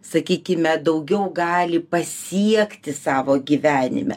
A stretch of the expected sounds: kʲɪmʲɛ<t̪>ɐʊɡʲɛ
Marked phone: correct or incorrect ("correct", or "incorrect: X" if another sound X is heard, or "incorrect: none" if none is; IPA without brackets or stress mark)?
incorrect: d̪